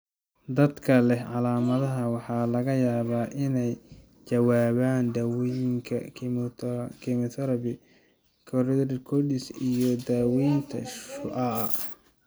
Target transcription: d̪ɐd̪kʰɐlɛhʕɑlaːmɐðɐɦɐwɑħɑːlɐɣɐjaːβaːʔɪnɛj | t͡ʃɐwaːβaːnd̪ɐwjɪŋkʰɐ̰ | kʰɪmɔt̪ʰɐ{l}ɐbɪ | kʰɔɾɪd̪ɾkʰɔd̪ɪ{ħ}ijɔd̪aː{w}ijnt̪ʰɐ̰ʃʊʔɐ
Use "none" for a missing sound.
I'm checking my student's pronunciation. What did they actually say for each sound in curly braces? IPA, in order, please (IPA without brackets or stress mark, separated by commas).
ɾ, s, w